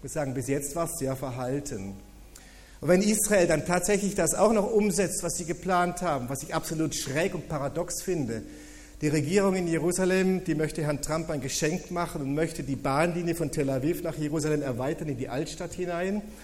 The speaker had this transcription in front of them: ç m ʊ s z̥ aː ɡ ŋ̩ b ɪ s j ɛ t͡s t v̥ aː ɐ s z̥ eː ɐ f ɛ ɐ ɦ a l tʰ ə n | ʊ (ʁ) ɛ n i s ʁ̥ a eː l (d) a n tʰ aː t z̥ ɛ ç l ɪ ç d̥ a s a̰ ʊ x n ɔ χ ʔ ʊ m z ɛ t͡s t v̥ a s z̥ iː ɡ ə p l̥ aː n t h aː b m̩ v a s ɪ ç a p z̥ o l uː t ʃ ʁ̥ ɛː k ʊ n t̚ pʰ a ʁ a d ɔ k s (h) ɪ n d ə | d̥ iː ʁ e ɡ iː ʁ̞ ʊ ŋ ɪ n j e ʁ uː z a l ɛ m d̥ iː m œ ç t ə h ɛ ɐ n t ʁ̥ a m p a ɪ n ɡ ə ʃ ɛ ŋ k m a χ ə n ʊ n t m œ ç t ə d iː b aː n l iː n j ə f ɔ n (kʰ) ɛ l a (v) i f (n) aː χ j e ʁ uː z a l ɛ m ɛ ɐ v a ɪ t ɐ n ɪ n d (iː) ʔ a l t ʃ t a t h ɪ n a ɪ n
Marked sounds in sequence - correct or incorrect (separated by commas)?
incorrect, correct, incorrect, incorrect, correct, correct, correct